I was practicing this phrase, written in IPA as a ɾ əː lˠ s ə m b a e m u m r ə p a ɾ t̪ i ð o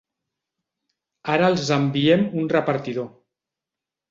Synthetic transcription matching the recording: a ɾ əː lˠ z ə m b i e m u n r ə p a ɾ t̪ i ð o